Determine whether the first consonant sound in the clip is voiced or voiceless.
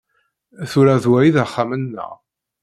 voiceless